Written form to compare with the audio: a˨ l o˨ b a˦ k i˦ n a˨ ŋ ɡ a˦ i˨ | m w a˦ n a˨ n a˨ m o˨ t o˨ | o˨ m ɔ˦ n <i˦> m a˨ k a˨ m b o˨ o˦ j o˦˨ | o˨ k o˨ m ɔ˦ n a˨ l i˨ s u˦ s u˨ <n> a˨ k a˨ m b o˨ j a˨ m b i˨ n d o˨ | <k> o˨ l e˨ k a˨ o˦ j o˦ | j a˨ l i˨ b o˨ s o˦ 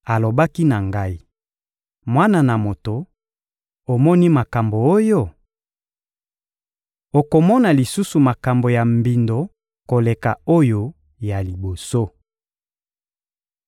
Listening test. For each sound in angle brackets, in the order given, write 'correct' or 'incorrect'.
correct, incorrect: m, correct

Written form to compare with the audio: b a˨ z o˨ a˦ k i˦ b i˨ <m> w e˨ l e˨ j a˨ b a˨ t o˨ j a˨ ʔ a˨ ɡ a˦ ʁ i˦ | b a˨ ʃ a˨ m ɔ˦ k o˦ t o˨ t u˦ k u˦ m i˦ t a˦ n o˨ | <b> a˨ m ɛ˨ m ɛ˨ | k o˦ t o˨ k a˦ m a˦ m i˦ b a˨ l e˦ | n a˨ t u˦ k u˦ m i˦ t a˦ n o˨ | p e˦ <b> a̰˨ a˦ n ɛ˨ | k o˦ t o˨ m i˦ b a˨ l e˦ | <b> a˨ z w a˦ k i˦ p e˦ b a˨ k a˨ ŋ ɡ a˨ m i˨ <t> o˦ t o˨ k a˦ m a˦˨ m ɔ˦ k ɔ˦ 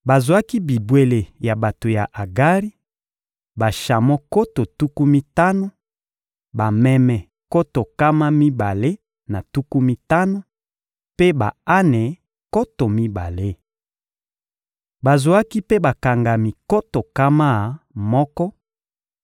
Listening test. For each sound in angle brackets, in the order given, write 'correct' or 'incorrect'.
incorrect: b, correct, correct, correct, incorrect: k

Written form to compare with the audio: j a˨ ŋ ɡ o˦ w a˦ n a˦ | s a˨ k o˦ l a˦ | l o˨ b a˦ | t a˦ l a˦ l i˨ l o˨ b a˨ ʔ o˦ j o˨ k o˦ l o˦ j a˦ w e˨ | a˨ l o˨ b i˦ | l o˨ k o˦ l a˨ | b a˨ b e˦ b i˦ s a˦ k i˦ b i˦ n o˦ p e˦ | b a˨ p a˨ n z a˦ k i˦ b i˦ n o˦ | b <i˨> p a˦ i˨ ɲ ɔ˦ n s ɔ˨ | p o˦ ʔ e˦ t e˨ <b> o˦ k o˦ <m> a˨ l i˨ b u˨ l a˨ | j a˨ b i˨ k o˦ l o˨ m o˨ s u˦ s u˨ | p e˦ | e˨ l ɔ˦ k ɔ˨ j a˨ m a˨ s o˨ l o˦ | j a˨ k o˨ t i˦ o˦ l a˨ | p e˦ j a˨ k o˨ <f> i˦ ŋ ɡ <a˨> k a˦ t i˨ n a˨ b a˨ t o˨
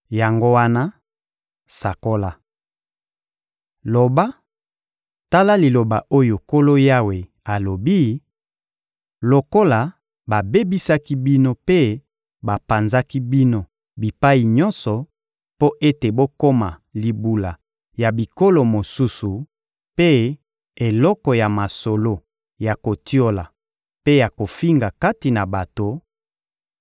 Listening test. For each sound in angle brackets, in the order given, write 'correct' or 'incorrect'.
correct, correct, correct, correct, correct

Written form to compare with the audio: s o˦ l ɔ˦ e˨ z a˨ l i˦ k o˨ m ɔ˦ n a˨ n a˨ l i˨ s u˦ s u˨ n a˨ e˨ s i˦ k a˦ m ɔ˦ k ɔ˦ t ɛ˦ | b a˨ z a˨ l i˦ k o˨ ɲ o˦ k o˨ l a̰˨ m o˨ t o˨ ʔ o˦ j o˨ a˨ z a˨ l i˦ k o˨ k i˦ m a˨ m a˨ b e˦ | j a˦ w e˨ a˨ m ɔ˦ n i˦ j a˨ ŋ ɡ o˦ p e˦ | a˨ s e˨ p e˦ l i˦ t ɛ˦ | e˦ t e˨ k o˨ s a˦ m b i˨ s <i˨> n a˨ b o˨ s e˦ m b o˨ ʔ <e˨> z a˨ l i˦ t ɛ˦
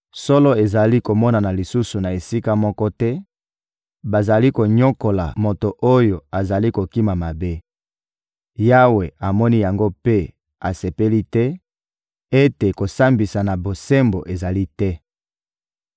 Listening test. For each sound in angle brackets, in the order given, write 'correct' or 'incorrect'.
incorrect: a˨, correct

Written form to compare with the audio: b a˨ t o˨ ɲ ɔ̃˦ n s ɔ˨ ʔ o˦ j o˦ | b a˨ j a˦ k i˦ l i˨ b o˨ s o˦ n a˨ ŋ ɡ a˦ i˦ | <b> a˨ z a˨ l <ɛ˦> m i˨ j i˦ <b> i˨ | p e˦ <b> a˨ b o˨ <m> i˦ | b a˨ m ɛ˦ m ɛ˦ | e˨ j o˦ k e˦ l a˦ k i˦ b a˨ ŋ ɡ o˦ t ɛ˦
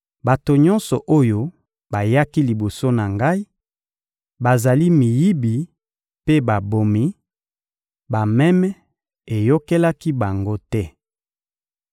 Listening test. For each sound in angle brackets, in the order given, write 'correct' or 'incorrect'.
correct, incorrect: i˦, correct, correct, correct

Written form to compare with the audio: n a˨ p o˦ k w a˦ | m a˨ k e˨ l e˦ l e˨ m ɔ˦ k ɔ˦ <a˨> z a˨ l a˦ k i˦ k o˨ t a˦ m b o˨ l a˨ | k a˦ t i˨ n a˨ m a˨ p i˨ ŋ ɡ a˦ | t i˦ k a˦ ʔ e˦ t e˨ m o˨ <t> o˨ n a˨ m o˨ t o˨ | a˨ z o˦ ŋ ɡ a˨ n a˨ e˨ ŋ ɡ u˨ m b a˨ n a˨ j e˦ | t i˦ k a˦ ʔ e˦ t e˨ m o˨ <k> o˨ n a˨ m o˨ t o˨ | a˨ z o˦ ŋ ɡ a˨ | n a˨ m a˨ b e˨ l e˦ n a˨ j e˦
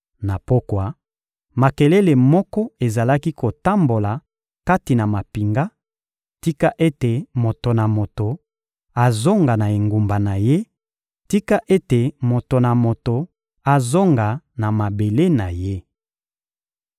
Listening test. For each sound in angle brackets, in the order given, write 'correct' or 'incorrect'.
incorrect: e˨, correct, incorrect: t

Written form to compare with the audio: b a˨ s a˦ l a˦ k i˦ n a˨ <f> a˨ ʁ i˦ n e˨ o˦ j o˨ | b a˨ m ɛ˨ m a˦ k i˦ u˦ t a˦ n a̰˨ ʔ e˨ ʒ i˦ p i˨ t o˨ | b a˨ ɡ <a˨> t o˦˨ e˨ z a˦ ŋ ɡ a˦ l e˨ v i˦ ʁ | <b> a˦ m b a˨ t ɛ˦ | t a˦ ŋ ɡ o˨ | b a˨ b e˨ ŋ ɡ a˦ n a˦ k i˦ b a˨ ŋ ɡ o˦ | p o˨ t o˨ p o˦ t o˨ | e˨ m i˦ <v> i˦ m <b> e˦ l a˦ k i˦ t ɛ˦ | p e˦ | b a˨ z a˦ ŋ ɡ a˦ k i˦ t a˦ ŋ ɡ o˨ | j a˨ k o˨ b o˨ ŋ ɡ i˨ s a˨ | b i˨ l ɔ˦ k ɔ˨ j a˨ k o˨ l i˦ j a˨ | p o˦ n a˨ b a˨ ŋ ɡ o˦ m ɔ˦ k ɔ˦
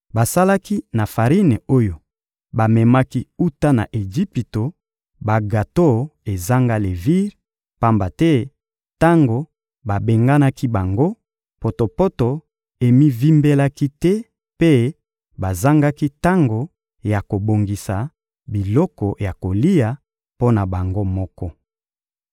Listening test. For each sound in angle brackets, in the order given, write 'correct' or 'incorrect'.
correct, correct, incorrect: p, correct, correct

